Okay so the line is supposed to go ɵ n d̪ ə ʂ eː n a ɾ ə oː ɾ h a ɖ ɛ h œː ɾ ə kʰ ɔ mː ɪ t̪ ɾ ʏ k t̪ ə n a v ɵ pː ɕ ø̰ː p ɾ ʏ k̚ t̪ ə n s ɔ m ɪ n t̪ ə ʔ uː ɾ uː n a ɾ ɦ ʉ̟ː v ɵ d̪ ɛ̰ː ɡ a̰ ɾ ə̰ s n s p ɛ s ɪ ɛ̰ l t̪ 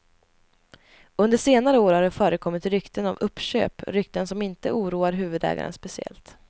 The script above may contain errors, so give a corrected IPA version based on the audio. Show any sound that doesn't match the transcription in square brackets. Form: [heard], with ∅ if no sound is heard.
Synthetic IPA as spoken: ɵ n d̪ ə ʂ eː n a ɾ ə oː ɾ h a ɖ ɛ [f] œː ɾ ə kʰ ɔ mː ɪ t̪ ɾ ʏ k t̪ ə n a v ɵ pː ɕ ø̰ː p ɾ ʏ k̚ t̪ ə n s ɔ m ɪ n t̪ ə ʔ uː ɾ uː [∅] a ɾ ɦ ʉ̟ː v ɵ d̪ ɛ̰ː ɡ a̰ ɾ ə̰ [∅] n s p ɛ s ɪ ɛ̰ l t̪